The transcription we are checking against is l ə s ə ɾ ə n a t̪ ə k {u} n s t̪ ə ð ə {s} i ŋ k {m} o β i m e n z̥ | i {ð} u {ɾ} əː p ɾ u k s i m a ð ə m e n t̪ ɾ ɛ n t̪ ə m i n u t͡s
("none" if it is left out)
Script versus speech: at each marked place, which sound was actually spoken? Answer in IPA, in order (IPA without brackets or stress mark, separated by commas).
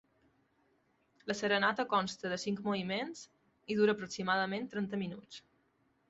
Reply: ɔ, s, m, ð, ɾ